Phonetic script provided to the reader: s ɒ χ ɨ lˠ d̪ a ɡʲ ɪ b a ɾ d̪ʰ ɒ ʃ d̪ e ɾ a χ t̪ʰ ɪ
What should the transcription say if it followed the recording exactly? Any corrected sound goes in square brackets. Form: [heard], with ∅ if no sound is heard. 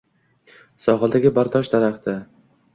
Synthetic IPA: s ɒ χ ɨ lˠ d̪ a ɡʲ ɪ b a ɾ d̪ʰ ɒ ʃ d̪ [a] ɾ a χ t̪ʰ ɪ